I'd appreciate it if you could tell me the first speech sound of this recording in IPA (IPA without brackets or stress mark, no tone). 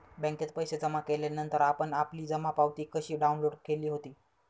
b